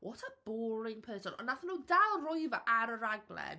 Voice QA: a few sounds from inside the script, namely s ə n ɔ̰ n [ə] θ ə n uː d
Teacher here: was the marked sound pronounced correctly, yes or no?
no